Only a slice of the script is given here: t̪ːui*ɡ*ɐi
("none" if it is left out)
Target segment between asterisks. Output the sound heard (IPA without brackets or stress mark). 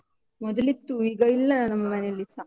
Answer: ɡ